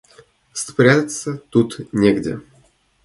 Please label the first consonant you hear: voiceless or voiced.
voiceless